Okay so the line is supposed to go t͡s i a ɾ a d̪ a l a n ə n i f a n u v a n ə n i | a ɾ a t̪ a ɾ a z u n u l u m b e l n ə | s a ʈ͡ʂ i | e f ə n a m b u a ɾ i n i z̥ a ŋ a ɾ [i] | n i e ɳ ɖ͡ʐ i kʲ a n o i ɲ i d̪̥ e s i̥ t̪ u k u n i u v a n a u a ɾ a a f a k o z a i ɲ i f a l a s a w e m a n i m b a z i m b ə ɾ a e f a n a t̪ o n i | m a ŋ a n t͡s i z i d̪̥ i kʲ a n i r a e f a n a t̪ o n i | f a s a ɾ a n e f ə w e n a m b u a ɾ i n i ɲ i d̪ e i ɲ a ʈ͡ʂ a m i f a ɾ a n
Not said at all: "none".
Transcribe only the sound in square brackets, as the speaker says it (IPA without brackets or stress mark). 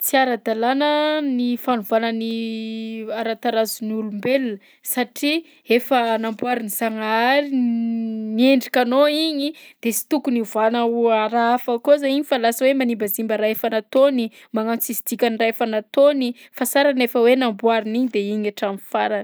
i